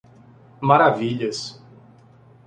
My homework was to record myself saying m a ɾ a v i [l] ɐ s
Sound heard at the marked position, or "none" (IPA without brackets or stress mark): ʎ